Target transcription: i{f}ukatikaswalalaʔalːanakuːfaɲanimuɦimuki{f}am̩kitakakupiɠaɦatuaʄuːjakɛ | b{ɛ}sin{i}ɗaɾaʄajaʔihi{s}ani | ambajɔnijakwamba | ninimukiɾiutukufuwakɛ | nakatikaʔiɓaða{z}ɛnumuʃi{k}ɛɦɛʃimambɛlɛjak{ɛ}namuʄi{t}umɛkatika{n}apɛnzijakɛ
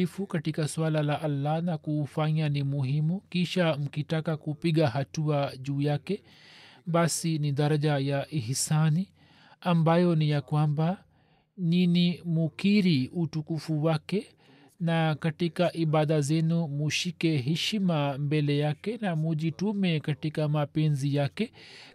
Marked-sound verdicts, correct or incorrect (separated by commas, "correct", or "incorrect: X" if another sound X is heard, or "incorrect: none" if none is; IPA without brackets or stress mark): correct, incorrect: ʃ, incorrect: a, correct, correct, correct, correct, correct, correct, incorrect: m